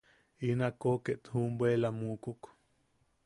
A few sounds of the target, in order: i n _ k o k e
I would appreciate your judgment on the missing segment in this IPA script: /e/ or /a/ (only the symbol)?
a